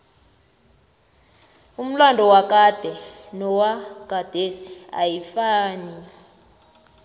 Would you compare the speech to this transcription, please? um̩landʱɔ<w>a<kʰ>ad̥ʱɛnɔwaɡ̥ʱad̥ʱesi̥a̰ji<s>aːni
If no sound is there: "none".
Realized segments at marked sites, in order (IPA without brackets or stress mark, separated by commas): w, k, f